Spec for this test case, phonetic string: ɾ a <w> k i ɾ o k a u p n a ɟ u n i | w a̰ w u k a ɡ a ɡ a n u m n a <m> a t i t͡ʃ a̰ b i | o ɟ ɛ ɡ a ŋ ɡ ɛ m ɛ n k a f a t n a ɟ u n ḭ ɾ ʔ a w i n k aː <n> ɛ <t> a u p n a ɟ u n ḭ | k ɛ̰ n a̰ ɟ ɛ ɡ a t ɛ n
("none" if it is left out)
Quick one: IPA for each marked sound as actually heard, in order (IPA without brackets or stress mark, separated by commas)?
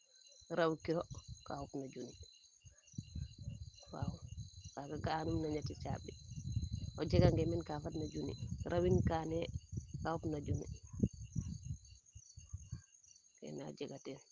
w, ɲ, n, k